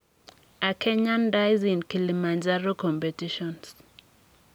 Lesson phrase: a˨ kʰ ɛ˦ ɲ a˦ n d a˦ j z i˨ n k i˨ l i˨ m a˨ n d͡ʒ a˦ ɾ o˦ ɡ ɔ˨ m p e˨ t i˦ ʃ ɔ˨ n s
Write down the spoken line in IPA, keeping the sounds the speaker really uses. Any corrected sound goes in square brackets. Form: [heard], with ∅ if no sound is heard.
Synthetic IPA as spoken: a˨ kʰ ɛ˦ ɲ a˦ n d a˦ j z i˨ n k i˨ l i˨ m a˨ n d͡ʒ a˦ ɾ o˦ [k] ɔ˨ m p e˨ t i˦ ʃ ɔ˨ n s